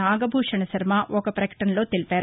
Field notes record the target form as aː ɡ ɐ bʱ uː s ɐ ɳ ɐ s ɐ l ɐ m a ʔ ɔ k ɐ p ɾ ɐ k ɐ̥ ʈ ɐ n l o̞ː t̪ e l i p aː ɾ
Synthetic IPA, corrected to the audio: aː ɡ ɐ bʱ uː ʂ ɐ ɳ ɐ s ɐ ɾ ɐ m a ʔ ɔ k ɐ p ɾ ɐ k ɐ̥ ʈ ɐ n l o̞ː t̪ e l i p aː ɾ